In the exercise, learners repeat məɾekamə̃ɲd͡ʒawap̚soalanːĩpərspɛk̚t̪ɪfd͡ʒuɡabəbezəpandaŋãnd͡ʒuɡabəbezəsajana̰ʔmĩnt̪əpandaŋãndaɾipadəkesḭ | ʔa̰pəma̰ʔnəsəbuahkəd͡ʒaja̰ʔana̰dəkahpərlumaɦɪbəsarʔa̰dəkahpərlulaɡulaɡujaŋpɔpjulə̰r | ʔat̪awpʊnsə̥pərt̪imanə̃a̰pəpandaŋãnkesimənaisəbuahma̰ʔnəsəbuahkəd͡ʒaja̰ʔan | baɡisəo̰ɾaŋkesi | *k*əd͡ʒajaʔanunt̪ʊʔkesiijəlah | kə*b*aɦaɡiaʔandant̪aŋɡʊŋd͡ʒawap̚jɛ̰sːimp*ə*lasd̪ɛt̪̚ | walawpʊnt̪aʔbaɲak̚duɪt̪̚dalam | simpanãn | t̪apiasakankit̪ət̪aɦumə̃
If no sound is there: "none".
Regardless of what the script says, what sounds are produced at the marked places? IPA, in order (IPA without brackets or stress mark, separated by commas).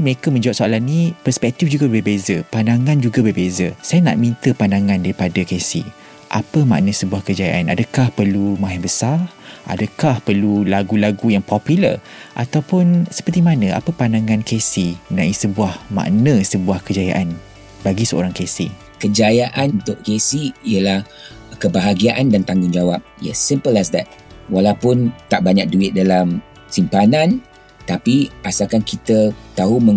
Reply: k, b, ə